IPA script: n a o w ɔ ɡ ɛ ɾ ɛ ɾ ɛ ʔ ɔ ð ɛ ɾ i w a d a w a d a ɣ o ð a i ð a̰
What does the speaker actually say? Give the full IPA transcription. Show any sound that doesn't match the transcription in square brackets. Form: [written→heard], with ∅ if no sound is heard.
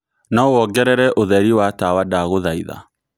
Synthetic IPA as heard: n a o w ɔ ɡ ɛ ɾ ɛ ɾ ɛ ʔ [ɔ→o] ð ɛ ɾ i w a [d→t] a w a d a ɣ o ð a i ð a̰